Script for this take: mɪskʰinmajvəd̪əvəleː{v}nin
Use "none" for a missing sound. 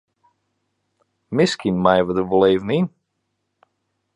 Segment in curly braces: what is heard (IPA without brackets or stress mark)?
v